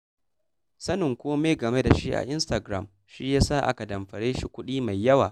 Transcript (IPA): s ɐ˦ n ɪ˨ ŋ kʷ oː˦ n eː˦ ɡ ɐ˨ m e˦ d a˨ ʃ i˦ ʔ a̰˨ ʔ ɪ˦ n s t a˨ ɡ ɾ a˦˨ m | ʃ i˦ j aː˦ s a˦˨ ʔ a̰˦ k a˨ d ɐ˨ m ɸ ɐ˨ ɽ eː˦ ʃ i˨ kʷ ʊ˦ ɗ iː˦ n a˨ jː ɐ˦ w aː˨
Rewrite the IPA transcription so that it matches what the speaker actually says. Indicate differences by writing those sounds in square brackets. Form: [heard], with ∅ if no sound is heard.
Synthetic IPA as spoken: s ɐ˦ n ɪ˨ ŋ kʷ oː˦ [m] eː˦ ɡ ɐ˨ m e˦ d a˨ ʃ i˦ ʔ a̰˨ ʔ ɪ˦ n s t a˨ ɡ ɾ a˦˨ m | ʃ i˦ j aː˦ s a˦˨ ʔ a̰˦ k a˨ d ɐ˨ m ɸ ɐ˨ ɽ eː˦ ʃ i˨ kʷ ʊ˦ ɗ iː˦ [m] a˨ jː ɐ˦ w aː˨